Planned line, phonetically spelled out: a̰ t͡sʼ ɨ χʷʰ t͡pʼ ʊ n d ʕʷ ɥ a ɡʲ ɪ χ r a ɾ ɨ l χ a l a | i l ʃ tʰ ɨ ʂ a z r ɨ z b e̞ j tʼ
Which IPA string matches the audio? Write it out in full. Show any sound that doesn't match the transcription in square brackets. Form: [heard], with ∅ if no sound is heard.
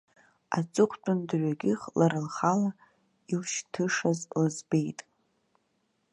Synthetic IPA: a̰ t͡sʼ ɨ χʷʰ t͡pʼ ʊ n d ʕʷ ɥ a ɡʲ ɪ χ [l] a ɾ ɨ l χ a l a | i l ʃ tʰ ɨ ʂ a z [l] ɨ z b e̞ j tʼ